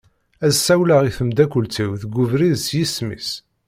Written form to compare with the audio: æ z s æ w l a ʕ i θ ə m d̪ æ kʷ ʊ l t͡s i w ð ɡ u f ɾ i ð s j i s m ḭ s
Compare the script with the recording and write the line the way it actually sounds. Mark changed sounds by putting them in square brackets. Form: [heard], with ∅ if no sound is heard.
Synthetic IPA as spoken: æ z s æ w l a [ʁ] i θ ə m d̪ æ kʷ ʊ l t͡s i w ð ɡ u [v] ɾ i ð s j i s m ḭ s